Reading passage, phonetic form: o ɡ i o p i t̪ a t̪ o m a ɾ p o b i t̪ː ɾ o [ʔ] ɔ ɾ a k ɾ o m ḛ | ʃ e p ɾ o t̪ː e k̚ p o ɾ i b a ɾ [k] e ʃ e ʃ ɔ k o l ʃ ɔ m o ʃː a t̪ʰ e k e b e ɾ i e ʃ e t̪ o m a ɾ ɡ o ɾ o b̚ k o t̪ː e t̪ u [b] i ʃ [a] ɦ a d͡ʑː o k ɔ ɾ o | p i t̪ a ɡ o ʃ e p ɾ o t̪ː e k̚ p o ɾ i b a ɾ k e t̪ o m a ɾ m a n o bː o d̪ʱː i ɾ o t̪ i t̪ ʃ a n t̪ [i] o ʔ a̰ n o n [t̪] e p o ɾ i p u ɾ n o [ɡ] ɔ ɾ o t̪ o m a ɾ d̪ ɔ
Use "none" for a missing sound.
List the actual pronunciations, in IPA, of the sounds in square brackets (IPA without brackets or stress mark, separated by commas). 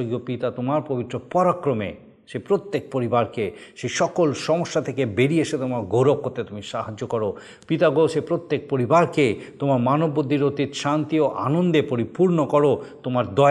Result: p, k, m, a, i, d̪, k